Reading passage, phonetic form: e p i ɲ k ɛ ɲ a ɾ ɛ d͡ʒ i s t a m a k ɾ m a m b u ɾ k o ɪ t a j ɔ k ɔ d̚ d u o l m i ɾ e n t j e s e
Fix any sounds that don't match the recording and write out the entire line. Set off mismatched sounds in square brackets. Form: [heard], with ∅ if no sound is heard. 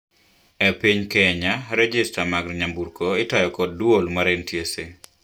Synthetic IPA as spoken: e p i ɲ k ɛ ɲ a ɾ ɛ d͡ʒ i s t a m a [ɡ] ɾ [ɲ] a m b u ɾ k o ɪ t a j ɔ k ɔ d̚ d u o l m [a] ɾ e n t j e s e